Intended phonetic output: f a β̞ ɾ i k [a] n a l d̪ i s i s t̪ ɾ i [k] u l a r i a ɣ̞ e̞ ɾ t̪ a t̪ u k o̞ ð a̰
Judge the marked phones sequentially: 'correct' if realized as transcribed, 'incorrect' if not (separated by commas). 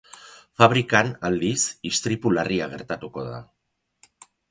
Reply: correct, incorrect